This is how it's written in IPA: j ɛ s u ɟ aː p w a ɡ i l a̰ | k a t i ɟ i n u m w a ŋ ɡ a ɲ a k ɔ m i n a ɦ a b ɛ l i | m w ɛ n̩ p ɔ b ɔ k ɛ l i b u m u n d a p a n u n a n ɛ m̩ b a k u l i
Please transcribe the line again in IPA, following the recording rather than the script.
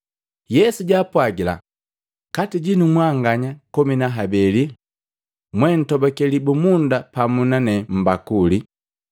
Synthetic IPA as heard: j ɛ s u ɟ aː p w a ɡ i l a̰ | k a t i ɟ i n u m w a ŋ ɡ a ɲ a k ɔ m i n a ɦ a b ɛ l i | m w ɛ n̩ t ɔ b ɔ k ɛ l i b u m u n d a p a m u n a n ɛ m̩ b a k u l i